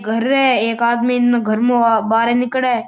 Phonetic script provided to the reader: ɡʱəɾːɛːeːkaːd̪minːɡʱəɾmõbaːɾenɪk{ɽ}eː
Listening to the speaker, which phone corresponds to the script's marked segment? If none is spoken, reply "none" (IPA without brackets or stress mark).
ɽ